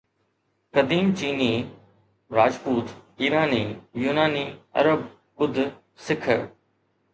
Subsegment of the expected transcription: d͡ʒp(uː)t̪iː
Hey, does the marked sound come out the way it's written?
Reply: yes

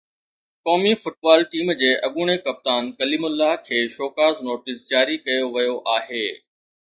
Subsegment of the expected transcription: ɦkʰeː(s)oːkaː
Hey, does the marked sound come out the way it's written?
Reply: no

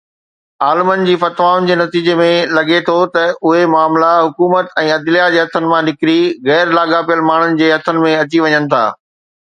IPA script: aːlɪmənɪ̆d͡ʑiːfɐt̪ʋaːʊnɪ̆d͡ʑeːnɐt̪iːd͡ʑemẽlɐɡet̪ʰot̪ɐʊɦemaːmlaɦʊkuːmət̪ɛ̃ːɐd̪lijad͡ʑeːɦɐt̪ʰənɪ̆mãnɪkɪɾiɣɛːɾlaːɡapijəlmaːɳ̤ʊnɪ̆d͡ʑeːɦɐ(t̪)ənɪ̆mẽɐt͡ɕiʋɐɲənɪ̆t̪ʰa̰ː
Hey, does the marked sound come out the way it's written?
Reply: no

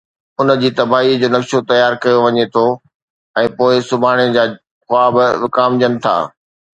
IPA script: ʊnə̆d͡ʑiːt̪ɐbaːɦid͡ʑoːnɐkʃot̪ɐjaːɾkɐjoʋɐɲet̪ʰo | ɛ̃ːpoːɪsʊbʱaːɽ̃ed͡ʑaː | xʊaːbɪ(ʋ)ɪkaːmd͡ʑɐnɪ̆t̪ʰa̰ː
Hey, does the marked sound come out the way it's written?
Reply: yes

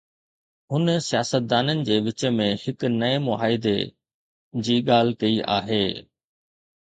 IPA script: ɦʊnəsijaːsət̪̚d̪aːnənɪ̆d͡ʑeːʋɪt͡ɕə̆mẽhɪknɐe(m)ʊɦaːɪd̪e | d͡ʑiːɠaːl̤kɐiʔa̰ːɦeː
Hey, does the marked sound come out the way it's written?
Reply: yes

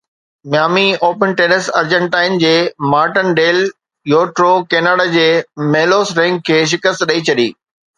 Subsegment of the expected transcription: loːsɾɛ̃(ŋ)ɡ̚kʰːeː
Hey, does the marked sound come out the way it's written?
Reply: yes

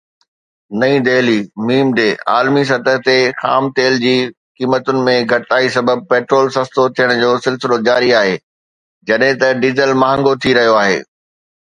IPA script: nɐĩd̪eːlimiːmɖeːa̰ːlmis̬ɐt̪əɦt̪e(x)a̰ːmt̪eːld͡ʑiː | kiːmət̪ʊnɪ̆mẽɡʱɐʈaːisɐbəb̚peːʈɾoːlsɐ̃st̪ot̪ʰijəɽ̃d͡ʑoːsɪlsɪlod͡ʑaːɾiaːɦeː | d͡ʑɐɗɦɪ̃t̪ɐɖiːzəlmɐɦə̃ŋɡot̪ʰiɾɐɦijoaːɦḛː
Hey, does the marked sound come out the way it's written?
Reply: yes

